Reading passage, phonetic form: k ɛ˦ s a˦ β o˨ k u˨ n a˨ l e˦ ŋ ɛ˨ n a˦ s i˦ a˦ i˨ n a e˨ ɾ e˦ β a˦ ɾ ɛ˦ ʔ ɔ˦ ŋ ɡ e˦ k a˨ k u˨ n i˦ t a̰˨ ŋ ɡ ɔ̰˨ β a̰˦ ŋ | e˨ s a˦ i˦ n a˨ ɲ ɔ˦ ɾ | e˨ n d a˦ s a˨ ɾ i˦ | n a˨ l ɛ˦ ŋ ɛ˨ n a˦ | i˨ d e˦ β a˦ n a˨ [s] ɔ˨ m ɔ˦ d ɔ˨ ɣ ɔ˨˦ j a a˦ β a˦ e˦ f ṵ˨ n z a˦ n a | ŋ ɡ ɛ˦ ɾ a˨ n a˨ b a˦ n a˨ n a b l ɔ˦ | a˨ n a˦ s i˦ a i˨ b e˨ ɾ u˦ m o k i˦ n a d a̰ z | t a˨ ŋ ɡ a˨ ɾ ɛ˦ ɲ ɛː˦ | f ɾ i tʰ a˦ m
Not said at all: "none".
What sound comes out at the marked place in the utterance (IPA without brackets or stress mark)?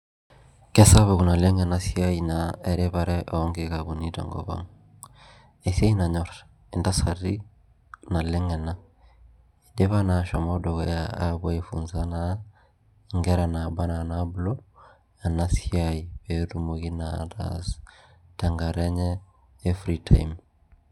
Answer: ʃ